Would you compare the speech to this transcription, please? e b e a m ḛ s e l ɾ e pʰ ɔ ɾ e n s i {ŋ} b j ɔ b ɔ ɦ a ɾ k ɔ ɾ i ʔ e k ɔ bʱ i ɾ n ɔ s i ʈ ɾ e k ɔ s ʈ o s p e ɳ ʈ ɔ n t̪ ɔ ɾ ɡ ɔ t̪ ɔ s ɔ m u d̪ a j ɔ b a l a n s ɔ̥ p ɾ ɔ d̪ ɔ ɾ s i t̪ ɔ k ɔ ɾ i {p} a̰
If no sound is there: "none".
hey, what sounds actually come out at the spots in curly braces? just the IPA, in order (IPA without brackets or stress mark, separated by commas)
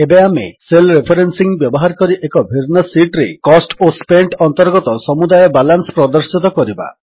ŋ, b